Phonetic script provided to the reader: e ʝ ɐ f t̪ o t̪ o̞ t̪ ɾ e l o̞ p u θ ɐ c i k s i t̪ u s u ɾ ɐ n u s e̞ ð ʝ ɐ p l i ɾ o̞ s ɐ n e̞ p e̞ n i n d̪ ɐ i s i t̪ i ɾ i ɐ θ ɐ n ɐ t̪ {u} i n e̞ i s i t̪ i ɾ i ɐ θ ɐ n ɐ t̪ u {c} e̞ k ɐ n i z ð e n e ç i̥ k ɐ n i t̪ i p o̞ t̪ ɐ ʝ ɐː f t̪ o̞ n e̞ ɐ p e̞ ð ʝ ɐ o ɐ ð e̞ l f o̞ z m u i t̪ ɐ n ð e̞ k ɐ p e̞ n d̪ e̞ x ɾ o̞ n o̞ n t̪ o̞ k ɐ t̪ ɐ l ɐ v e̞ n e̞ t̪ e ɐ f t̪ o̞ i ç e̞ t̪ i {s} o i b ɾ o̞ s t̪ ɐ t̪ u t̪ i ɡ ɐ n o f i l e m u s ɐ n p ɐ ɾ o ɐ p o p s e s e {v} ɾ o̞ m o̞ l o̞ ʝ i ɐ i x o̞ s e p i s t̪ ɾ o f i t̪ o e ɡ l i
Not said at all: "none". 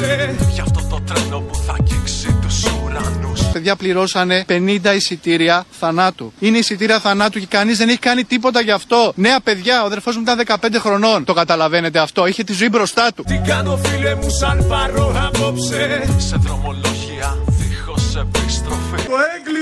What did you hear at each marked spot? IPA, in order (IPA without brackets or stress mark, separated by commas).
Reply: u, c, z, ð